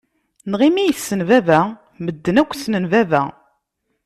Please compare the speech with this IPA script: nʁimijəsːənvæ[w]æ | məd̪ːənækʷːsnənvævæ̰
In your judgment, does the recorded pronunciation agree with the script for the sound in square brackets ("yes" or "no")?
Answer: no